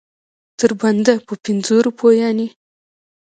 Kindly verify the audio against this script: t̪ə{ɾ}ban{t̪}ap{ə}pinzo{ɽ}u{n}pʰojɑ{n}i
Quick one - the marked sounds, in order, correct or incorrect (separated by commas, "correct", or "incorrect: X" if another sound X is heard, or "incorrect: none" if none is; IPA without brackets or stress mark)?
correct, incorrect: d̪, correct, incorrect: ɾ, incorrect: none, correct